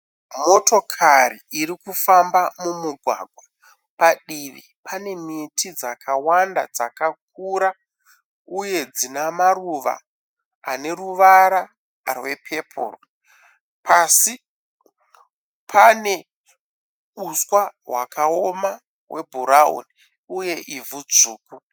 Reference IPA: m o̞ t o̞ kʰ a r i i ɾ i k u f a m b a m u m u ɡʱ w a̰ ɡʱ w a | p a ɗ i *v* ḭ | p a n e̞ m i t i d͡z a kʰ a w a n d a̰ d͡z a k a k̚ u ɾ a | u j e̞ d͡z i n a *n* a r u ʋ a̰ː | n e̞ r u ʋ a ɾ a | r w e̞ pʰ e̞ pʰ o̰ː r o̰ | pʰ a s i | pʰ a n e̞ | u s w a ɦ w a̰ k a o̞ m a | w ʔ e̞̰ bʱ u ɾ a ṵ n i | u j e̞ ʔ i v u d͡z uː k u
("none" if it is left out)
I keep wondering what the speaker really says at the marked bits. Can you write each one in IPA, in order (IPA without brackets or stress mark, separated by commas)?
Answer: ʋ, m